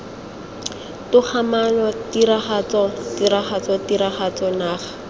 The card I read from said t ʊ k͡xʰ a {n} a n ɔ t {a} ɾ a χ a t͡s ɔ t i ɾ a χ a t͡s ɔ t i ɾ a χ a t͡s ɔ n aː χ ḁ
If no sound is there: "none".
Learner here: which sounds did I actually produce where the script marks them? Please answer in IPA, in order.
m, i

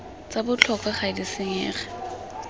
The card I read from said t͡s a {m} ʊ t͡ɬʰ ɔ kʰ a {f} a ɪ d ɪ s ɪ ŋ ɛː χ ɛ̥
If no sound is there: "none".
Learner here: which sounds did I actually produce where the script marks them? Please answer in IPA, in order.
b, χ

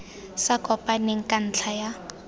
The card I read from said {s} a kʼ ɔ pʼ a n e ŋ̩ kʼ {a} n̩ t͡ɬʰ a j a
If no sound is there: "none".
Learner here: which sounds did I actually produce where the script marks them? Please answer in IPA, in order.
s, a

